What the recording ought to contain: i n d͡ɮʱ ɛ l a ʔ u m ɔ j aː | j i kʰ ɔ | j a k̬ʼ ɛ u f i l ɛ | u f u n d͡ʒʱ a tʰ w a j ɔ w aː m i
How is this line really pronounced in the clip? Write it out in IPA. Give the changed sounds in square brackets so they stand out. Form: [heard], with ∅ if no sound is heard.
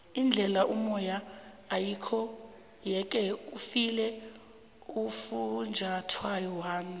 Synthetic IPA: i n d͡ɮʱ ɛ l a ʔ u m ɔ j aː | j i kʰ ɔ | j [ɛ] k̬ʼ ɛ u f i l ɛ | u f u n d͡ʒʱ a tʰ w a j ɔ w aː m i